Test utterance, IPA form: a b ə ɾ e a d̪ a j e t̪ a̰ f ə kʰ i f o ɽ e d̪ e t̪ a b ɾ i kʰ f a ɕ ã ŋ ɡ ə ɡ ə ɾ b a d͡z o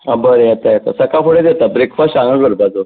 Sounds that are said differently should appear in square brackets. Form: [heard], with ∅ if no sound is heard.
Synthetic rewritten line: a b ə ɾ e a [t̪] a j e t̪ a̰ [s] ə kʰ [a] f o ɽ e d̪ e t̪ a b ɾ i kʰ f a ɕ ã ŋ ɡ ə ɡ ə ɾ b a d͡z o